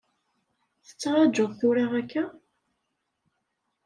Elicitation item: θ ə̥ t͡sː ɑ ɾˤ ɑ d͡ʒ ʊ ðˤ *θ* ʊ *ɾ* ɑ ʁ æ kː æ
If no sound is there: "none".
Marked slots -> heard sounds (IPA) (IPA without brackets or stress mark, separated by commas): θ, ɾ